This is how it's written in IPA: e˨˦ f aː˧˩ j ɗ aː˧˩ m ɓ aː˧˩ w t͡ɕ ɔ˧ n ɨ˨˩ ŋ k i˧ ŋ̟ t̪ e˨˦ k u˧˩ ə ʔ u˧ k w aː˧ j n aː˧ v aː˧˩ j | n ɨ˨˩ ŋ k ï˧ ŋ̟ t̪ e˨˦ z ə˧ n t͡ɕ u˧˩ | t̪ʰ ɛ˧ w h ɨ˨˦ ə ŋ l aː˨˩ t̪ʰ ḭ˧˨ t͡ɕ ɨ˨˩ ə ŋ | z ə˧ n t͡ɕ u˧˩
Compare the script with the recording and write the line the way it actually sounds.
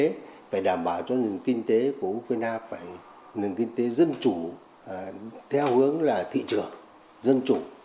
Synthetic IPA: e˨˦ f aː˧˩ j ɗ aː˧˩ m ɓ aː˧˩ w t͡ɕ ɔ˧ n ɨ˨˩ ŋ k i˧ ŋ̟ t̪ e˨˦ k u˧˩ ə ʔ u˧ k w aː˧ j n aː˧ f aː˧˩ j | n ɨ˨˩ ŋ k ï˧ ŋ̟ t̪ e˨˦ z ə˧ n t͡ɕ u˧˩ | t̪ʰ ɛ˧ w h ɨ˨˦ ə ŋ l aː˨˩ t̪ʰ ḭ˧˨ t͡ɕ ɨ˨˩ ə ŋ | z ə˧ n t͡ɕ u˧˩